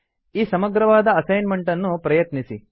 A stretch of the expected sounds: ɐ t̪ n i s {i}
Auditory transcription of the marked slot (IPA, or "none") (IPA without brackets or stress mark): i